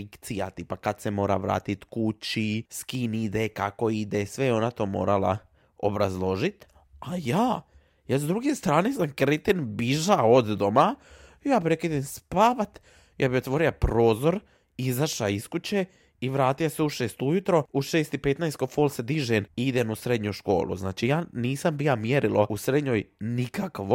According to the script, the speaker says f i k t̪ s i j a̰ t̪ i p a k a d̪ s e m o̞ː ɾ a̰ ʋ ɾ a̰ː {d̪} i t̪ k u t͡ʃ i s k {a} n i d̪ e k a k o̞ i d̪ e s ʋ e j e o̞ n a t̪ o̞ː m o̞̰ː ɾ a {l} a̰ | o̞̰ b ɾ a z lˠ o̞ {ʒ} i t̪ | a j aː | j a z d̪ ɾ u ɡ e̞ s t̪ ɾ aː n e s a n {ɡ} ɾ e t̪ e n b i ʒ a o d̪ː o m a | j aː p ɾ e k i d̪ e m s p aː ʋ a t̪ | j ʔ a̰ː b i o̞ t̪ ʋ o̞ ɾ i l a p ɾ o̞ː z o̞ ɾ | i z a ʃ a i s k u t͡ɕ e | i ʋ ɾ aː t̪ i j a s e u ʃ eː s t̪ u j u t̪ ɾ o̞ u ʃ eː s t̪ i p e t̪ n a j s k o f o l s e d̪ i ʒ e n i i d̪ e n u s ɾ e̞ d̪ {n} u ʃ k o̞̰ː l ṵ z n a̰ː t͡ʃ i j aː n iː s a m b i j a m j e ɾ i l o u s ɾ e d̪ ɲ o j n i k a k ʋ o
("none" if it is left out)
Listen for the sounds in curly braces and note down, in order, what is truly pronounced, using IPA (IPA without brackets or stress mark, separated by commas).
t̪, i, l, ʒ, k, ɲ